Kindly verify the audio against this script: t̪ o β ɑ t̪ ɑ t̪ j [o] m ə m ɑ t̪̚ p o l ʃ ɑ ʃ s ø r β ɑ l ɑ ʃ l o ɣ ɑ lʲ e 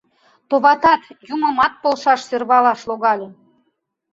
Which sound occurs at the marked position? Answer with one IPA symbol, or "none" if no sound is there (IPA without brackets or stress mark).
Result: u